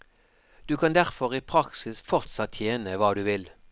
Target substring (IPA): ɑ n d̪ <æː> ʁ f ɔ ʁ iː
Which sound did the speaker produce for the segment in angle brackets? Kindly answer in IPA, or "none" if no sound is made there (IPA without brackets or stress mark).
æ